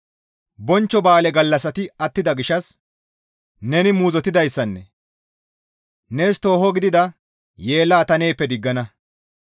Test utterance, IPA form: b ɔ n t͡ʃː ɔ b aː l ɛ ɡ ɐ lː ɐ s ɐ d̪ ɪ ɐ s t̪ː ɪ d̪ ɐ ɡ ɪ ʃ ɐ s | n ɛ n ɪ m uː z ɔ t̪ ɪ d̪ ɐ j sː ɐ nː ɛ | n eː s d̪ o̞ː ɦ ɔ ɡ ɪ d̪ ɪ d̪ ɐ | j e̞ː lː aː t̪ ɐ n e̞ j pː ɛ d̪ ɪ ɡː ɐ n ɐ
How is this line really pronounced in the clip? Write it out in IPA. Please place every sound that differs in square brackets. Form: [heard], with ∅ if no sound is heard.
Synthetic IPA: b ɔ n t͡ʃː ɔ b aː l ɛ ɡ ɐ lː ɐ s ɐ [t̪] ɪ ɐ [∅] t̪ː ɪ d̪ ɐ ɡ ɪ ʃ ɐ s | n ɛ n ɪ m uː z ɔ t̪ ɪ d̪ ɐ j sː ɐ nː ɛ | n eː s [t̪] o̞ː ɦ ɔ ɡ ɪ d̪ ɪ d̪ ɐ | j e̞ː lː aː t̪ ɐ n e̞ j pː ɛ d̪ ɪ ɡː ɐ n ɐ

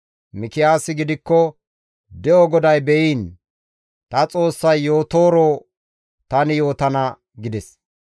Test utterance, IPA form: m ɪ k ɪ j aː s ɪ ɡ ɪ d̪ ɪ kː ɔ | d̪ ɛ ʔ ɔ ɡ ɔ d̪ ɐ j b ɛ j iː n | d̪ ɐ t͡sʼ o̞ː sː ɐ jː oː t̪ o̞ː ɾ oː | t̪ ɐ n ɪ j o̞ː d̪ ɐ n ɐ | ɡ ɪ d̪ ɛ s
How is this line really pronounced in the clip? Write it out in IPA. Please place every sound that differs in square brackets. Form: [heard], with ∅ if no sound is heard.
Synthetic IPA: m ɪ k ɪ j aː s ɪ ɡ ɪ d̪ ɪ kː ɔ | d̪ ɛ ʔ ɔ ɡ ɔ d̪ ɐ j b ɛ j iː n | [t̪] ɐ t͡sʼ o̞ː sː ɐ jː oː t̪ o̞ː ɾ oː | t̪ ɐ n ɪ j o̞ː [t̪] ɐ n ɐ | ɡ ɪ d̪ ɛ s

